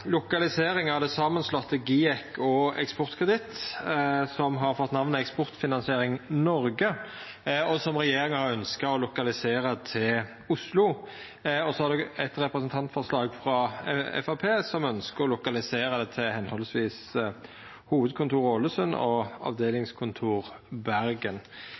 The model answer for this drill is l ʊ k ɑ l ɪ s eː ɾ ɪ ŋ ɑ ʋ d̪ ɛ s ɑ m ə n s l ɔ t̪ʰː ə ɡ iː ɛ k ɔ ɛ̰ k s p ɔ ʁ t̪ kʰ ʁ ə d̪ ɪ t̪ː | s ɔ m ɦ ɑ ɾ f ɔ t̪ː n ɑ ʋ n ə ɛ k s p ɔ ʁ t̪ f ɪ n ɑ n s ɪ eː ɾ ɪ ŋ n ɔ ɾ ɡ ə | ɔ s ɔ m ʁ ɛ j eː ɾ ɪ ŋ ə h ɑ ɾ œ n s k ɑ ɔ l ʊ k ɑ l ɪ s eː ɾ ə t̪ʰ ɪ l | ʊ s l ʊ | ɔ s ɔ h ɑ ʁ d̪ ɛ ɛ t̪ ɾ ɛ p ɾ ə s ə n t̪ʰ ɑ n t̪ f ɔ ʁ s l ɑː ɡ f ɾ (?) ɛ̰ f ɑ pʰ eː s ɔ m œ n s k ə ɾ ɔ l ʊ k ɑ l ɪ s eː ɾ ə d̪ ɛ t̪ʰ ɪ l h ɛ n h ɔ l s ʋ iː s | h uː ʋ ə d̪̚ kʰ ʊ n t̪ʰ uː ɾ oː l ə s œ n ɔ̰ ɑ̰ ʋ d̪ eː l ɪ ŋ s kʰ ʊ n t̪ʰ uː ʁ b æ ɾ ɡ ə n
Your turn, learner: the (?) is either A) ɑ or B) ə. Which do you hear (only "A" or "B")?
A